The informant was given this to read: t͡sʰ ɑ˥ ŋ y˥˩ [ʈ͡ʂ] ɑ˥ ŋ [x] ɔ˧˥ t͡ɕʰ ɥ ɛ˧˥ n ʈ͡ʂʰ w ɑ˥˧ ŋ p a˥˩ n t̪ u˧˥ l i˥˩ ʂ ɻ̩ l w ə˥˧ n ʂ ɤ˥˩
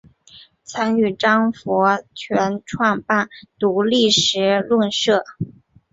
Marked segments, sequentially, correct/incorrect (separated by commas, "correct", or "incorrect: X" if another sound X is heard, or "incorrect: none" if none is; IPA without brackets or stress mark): correct, incorrect: f